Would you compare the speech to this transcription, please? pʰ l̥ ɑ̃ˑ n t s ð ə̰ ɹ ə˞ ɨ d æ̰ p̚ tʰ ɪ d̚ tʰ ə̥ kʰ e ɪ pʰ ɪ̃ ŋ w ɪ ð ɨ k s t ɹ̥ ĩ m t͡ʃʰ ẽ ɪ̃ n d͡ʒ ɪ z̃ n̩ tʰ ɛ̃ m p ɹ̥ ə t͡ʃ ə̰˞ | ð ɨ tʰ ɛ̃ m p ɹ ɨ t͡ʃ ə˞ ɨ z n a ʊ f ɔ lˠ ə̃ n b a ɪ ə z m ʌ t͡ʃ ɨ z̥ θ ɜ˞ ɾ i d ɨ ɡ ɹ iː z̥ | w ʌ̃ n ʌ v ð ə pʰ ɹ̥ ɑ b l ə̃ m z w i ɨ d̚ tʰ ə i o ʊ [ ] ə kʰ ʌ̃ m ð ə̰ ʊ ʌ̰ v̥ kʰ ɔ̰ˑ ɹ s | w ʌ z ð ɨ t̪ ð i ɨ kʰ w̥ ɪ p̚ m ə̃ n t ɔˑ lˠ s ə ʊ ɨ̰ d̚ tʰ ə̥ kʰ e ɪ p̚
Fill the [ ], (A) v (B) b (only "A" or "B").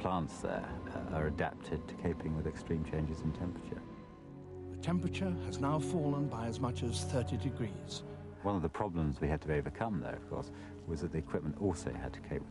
A